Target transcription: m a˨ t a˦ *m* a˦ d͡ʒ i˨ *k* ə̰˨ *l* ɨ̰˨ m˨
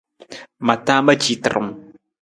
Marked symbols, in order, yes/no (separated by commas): yes, no, no